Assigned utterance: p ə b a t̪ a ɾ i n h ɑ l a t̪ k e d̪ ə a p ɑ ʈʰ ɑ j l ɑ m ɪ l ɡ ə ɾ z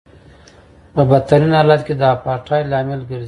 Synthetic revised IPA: p ə b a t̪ a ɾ i n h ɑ l a t̪ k e d̪ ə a p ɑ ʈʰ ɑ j l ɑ m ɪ l ɡ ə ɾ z